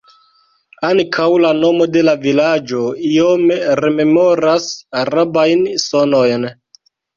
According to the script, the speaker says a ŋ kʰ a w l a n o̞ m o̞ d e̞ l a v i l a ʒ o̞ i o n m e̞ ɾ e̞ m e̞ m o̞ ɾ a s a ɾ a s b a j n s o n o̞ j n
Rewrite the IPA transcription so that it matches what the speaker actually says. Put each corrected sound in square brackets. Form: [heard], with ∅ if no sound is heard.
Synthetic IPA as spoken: a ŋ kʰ a w l a n o̞ m o̞ d e̞ l a v i l a [d͡ʒ] o̞ i o [∅] m e̞ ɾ e̞ m e̞ m o̞ ɾ a s a ɾ a [∅] b a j n s o n o̞ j n